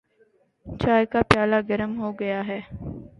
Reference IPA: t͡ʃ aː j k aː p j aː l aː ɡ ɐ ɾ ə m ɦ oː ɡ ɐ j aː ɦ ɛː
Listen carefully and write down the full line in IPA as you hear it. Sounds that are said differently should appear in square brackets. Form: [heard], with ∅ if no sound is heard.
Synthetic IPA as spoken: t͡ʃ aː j k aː p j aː l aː ɡ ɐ ɾ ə m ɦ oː ɡ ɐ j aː ɦ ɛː